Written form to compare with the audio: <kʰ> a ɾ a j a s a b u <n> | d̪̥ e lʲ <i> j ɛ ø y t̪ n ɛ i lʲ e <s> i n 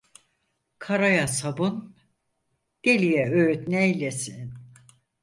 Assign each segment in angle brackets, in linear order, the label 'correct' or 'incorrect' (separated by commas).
correct, correct, correct, correct